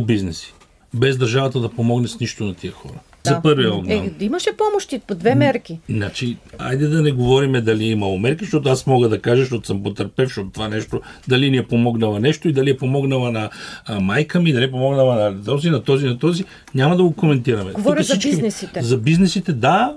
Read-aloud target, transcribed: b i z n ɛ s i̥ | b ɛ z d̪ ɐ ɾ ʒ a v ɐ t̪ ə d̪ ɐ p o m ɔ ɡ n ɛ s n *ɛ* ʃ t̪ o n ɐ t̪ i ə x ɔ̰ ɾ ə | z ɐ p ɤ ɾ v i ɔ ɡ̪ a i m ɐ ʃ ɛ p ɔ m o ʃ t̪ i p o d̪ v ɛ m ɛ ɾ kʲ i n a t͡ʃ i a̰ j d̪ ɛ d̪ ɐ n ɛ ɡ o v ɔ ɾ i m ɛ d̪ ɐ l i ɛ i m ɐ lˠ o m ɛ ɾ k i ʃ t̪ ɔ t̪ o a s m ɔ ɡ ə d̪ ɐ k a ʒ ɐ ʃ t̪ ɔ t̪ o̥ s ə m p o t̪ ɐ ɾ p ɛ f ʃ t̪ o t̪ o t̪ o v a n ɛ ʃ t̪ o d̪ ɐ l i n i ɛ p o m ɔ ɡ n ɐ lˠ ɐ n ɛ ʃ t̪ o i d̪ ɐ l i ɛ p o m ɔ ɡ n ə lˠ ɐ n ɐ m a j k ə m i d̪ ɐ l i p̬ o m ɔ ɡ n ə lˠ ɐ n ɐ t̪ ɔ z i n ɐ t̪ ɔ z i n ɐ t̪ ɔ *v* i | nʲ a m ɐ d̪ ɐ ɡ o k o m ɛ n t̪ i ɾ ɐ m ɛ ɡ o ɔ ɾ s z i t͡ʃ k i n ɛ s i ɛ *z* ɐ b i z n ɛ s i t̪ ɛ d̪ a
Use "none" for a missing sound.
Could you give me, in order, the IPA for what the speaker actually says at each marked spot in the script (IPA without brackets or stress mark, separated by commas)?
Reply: i, z, z